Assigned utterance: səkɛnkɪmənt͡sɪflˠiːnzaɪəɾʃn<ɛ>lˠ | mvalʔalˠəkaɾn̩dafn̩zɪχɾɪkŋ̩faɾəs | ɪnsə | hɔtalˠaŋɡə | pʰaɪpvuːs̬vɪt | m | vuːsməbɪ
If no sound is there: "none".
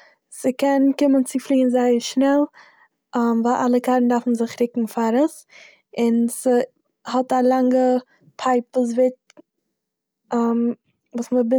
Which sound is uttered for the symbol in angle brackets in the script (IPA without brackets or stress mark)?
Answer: ɛ